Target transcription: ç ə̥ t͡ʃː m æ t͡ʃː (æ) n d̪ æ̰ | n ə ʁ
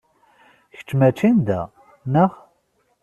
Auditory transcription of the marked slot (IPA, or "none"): i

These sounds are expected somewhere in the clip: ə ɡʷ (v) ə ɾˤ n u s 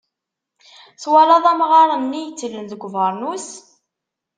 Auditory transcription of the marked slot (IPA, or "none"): v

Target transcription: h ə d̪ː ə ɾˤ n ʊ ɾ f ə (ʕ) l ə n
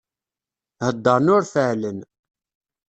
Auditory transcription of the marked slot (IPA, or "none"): ʕ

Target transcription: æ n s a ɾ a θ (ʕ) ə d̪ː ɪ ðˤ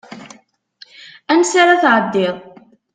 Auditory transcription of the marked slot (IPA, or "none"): ʕ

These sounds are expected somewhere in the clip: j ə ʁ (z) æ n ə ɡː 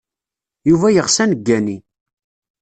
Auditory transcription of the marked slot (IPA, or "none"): s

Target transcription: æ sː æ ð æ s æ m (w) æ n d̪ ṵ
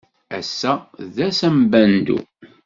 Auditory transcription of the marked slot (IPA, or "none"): b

